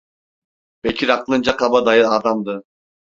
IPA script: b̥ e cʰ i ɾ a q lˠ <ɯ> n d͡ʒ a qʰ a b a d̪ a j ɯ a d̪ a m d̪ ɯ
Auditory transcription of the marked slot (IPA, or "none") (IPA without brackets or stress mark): ɯ